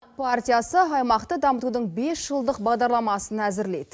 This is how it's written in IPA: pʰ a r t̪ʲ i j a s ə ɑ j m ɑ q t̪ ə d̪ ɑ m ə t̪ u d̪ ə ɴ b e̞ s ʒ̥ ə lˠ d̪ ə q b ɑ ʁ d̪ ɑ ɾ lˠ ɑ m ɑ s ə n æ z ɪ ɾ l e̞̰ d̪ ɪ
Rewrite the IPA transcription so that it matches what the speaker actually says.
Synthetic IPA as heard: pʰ a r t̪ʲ i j a s ə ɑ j m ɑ q t̪ ə d̪ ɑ m ə t̪ u d̪ ə ɴ b e̞ s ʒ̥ ə lˠ d̪ ə q b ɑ ʁ d̪ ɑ ɾ lˠ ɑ m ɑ s ə n æ z ɪ ɾ l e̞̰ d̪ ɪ

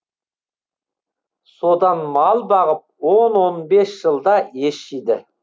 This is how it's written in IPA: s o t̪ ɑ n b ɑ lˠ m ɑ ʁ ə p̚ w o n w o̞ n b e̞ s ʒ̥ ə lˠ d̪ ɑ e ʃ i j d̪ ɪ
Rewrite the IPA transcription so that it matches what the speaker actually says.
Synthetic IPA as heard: s o d̪ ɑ n m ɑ lˠ b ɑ ʁ ə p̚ w o n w o̞ n b e̞ s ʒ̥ ə lˠ d̪ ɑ e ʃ i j d̪ ɪ

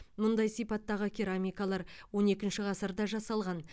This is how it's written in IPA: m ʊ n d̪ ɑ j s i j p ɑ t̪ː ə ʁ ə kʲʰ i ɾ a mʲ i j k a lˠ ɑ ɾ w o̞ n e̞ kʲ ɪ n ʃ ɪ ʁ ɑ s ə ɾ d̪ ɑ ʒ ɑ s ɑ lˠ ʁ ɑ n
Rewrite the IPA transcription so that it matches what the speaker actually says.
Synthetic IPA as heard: m ʊ n d̪ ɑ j s i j p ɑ t̪ː ɑ ʁ ə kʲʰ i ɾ a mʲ i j k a lˠ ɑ ɾ w o̞ n e̞ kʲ ɪ n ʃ ɪ ʁ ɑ s ə ɾ d̪ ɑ ʒ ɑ s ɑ lˠ ʁ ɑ n

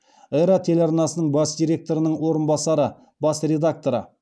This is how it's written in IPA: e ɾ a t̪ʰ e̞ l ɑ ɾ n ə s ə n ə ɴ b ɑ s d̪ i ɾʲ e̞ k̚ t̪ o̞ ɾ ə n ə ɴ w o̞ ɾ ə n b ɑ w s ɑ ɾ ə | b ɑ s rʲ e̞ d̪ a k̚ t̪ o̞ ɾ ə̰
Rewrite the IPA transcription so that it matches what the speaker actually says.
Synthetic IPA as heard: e ɾ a t̪ʰ e̞ l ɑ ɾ n ɑ s ə n ə ɴ b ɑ s d̪ i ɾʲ e̞ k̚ t̪ o̞ ɾ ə n ə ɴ w o̞ ɾ ə n b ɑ s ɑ ɾ ə | b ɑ s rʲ e̞ d̪ a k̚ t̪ o̞ ɾ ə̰

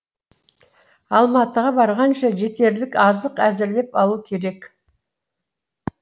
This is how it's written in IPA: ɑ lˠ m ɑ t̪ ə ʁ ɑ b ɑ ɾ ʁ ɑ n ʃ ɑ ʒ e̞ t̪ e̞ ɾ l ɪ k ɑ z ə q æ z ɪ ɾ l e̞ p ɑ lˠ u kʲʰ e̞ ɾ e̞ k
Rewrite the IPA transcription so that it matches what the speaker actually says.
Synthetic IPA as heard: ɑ lˠ m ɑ t̪ ə ʁ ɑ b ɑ ɾ ʁ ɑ n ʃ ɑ ʒ e̞ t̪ e̞ ɾ l ɪ k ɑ z ə q æ z ɪ ɾ l e̞ p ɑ lˠ u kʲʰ e̞ ɾ e̞ k

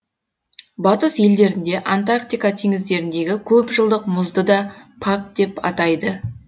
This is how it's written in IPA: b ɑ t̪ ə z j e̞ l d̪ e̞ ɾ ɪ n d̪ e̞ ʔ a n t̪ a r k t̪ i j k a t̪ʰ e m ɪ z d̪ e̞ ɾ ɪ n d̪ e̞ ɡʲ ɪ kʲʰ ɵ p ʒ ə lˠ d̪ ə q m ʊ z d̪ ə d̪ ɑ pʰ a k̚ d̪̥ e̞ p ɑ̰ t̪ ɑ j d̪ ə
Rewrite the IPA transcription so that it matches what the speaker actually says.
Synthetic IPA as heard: b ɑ t̪ ə s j e̞ l d̪ e̞ ɾ ɪ n d̪ e̞ ʔ a n t̪ a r k t̪ i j k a t̪ʰ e ŋ ɪ z d̪ e̞ ɾ ɪ n d̪ e̞ ɡʲ ɪ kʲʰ ɵ p ʒ ə lˠ d̪ ə q m ʊ z d̪ ə d̪ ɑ pʰ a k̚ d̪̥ e̞ p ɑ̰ t̪ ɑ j d̪ ə

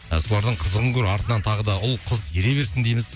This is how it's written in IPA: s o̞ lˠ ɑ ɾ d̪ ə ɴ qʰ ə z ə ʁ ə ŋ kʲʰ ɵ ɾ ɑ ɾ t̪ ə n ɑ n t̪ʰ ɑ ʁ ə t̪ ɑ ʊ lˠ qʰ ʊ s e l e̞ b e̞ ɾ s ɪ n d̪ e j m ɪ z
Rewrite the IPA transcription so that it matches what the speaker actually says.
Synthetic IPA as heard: s o̞ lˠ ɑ ɾ d̪ ə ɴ qʰ ə z ə ʁ ə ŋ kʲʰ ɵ ɾ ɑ ɾ t̪ ə n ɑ n t̪ʰ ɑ ʁ ə d̪ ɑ ʊ lˠ qʰ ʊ z e ɾ e̞ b e̞ ɾ s ɪ n d̪ e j m ɪ z

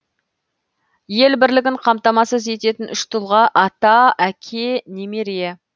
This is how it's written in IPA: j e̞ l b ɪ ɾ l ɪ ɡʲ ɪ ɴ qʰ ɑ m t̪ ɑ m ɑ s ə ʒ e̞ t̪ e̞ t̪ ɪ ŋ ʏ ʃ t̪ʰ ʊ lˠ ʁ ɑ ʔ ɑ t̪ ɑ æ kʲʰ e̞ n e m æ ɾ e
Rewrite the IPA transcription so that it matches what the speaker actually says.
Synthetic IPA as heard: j e̞ l b ɪ ɾ l ɪ ɡʲ ɪ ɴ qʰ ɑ m t̪ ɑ m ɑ s ə z e̞ t̪ e̞ t̪ ɪ n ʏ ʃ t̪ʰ ʊ lˠ ʁ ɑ ʔ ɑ t̪ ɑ æ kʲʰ e̞ n e m e ɾ e

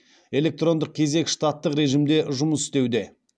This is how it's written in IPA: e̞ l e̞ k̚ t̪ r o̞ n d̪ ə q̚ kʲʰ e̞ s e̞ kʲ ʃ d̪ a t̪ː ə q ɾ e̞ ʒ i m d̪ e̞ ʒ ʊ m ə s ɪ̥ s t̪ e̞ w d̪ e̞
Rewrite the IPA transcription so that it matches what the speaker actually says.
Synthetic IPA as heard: e̞ l e̞ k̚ t̪ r o̞ n d̪ ə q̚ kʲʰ e̞ z e̞ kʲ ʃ t̪ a t̪ː ə q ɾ e̞ ʒ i m d̪ e̞ ʒ ʊ m ə s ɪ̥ s t̪ e̞ w d̪ e̞

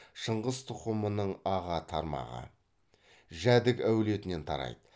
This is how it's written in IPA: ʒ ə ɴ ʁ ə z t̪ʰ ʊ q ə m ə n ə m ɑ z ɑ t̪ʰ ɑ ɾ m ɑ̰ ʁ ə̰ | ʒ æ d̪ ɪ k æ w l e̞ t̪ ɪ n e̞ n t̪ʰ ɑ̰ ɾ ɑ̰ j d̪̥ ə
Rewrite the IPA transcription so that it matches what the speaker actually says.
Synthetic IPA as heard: ʃ ə ɴ ʁ ə z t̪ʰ ʊ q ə m ə n ə ɴ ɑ ʁ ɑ t̪ʰ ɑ ɾ m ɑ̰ ʁ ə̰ | ʒ æ d̪ ɪ k æ w l e̞ t̪ ɪ n e̞ n t̪ʰ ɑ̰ ɾ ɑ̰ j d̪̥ ə

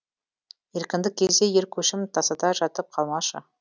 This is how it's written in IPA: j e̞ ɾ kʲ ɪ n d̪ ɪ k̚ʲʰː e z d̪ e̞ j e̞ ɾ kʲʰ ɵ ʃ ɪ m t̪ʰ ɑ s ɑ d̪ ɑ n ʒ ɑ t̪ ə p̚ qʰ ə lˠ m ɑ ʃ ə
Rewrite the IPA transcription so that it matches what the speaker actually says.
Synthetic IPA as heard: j e̞ ɾ kʲ ɪ n d̪ ɪ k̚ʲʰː e z d̪ e̞ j e̞ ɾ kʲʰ ɵ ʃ ɪ m t̪ʰ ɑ s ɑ d̪ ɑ ʒ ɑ t̪ ə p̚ qʰ ɑ lˠ m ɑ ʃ ə

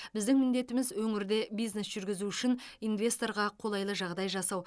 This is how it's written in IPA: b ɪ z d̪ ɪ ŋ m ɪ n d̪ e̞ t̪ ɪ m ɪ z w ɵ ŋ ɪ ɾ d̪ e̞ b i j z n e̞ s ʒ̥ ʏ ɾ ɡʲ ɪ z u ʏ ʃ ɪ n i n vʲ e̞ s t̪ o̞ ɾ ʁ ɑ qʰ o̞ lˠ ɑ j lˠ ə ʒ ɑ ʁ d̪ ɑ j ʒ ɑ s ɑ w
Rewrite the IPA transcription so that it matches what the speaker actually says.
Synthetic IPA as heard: b ɪ z d̪ ɪ ŋ m ɪ n d̪ e̞ t̪ ɪ m ɪ z w ɵ ŋ ɪ ɾ d̪ e̞ b i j z n e̞ s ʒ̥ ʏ ɾ ɡʲ ɪ z u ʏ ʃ ɪ n i n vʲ e̞ s t̪ o̞ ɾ ʁ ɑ qʰ o̞ lˠ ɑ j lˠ ə ʒ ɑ ʁ d̪ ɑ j ʒ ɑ s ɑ w

